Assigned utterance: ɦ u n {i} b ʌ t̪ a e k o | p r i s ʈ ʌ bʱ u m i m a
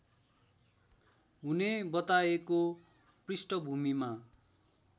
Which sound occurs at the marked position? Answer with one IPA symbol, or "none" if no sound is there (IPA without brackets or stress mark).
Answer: e